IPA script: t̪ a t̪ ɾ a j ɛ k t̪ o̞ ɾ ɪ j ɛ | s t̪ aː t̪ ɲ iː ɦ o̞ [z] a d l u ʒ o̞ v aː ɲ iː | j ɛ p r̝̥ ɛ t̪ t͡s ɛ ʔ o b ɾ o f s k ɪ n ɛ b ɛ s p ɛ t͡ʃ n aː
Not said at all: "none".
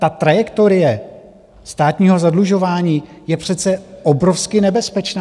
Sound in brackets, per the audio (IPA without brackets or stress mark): z